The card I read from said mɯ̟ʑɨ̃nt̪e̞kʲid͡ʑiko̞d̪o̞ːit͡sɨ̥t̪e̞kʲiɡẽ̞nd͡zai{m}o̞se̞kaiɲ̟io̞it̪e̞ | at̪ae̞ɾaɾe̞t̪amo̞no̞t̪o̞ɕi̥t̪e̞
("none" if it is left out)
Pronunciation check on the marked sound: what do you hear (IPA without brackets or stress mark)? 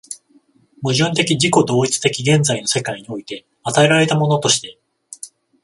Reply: n